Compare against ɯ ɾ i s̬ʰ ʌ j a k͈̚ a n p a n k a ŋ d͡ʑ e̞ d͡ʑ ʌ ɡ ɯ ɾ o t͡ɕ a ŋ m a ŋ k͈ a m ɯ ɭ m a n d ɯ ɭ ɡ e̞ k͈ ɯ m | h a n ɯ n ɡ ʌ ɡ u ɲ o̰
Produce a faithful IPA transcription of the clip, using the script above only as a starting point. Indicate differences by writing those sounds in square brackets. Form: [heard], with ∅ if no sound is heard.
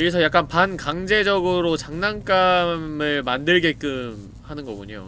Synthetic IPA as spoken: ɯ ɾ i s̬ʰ ʌ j a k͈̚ a n p a n k a ŋ d͡ʑ e̞ d͡ʑ ʌ ɡ ɯ ɾ o t͡ɕ a ŋ [n] a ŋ k͈ a m ɯ ɭ m a n d ɯ ɭ ɡ e̞ k͈ ɯ m | h a n ɯ n ɡ ʌ ɡ u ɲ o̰

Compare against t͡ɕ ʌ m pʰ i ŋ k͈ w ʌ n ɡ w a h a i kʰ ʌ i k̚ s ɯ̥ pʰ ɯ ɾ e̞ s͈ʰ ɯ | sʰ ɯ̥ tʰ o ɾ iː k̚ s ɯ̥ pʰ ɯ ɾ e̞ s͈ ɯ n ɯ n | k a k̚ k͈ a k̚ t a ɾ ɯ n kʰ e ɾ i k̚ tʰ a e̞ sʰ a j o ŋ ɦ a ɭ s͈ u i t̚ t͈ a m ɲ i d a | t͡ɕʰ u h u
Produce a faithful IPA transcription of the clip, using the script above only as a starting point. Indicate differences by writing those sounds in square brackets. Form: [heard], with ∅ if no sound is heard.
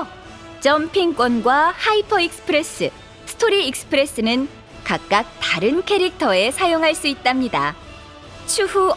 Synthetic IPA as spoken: t͡ɕ ʌ m pʰ i ŋ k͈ w ʌ n ɡ w a h a i [pʰ] ʌ i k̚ s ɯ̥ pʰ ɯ ɾ e̞ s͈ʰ ɯ | sʰ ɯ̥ tʰ o ɾ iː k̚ s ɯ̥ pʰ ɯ ɾ e̞ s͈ ɯ n ɯ n | k a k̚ k͈ a k̚ t a ɾ ɯ n kʰ e ɾ i k̚ tʰ [ʌ] e̞ sʰ a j o ŋ ɦ a ɭ s͈ u i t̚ t͈ a m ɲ i d a | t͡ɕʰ u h u

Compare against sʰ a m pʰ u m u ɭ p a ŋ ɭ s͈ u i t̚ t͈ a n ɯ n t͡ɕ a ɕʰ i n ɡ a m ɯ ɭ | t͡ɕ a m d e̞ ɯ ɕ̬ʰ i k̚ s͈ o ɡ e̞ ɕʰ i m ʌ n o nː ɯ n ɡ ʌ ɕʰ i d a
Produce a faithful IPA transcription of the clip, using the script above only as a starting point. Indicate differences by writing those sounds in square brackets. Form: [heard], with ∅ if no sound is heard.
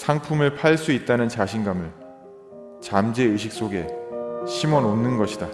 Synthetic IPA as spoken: sʰ a [ŋ] pʰ u m [ɯ] ɭ [pʰ] a [∅] ɭ s͈ u i t̚ t͈ a n ɯ n t͡ɕ a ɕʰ i n ɡ a m ɯ ɭ | t͡ɕ a m [d͡ʑ] e̞ ɯ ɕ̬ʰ i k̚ s͈ o ɡ e̞ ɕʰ i m ʌ n o nː ɯ n ɡ ʌ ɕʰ i d a

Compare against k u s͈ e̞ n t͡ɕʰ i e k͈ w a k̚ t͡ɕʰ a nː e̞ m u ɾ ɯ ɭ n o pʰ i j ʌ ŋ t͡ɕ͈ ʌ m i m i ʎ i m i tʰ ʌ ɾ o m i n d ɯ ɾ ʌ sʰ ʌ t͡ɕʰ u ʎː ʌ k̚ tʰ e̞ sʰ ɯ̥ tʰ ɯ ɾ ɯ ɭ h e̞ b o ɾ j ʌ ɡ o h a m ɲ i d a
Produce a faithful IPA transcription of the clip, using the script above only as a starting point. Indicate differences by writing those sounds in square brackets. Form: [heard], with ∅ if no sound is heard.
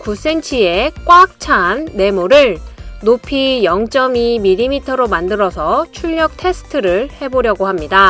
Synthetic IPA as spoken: k u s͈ e̞ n t͡ɕʰ i e k͈ w a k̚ t͡ɕʰ a nː e̞ m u ɾ ɯ ɭ n o pʰ i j ʌ ŋ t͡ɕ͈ ʌ m i m i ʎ i m i tʰ ʌ ɾ o m [a] n d ɯ ɾ ʌ sʰ ʌ t͡ɕʰ u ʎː ʌ k̚ tʰ e̞ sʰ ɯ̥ tʰ ɯ ɾ ɯ ɭ h e̞ b o ɾ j ʌ ɡ o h a m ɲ i d a

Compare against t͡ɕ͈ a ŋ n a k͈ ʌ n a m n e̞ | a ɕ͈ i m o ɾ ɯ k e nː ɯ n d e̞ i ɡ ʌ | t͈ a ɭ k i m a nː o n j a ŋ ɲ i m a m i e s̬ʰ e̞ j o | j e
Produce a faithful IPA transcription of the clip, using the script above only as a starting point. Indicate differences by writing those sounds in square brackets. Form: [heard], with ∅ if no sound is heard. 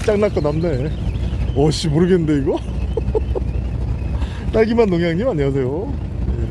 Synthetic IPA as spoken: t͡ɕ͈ a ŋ n a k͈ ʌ n a m n e̞ | [ʌ] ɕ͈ i m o ɾ ɯ [ɡ] e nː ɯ n d e̞ i ɡ ʌ | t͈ a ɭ [ɡ] i m a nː o [ŋ] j a ŋ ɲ i m a [ɲ] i [a] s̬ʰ e̞ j o | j e

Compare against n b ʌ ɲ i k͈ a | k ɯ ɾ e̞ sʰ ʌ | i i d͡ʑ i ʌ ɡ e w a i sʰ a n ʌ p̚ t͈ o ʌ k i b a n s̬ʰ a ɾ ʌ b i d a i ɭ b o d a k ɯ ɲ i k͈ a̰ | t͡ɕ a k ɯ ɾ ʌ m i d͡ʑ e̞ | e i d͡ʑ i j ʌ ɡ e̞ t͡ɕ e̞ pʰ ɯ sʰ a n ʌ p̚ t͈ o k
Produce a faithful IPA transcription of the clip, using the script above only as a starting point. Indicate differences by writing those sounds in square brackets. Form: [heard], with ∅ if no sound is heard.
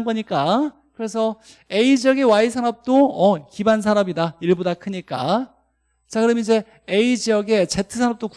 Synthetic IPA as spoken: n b ʌ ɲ i k͈ a | k ɯ ɾ e̞ sʰ ʌ | [e] i d͡ʑ i ʌ ɡ e w a i sʰ a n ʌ p̚ t͈ o ʌ k i b a n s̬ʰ a ɾ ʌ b i d a i ɭ b o d a [kʰ] ɯ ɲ i k͈ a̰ | t͡ɕ a k ɯ ɾ ʌ m i d͡ʑ e̞ | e i d͡ʑ i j ʌ ɡ e̞ t͡ɕ e̞ [tʰ] ɯ sʰ a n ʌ p̚ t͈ o k

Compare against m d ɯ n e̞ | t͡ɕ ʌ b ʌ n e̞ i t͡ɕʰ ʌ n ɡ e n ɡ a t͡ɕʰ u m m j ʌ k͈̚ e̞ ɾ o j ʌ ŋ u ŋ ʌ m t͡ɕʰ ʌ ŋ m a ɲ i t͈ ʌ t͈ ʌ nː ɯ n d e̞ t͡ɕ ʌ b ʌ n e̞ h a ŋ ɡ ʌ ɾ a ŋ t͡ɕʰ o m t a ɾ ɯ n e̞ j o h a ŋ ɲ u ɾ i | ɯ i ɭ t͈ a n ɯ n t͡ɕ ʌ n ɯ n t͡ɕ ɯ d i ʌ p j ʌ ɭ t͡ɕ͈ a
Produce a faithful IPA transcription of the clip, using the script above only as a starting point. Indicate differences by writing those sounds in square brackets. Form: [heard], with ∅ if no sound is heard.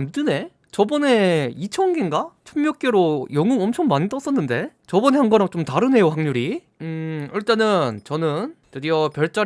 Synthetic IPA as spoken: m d ɯ n e̞ | t͡ɕ ʌ b ʌ n e̞ i t͡ɕʰ ʌ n ɡ e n ɡ a t͡ɕʰ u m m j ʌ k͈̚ e̞ ɾ o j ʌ ŋ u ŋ ʌ m t͡ɕʰ ʌ ŋ m a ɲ i t͈ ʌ [s͈] ʌ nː ɯ n d e̞ t͡ɕ ʌ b ʌ n e̞ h a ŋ ɡ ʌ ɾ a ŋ [t͡ɕ] o m t a ɾ ɯ n e̞ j o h a ŋ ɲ u ɾ i | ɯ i ɭ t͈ a n ɯ n t͡ɕ ʌ n ɯ n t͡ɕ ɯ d i ʌ p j ʌ ɭ t͡ɕ͈ a

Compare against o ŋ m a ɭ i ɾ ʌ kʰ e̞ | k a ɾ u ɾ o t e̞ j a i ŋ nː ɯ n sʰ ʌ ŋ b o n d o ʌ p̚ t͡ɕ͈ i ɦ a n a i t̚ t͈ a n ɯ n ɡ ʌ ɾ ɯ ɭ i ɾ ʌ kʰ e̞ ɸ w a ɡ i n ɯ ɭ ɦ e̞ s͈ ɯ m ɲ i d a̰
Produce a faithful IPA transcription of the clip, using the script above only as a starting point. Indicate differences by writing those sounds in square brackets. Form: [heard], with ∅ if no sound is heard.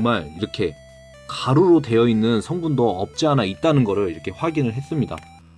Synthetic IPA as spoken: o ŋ m a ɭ i ɾ ʌ kʰ e̞ | k a ɾ u ɾ o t e̞ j [ʌ] i [∅] nː ɯ n sʰ ʌ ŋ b [u] n d o ʌ p̚ t͡ɕ͈ i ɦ a n a i t̚ t͈ a n ɯ n ɡ ʌ ɾ ɯ ɭ i ɾ ʌ kʰ e̞ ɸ w a ɡ i n ɯ ɭ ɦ e̞ s͈ ɯ m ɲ i d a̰

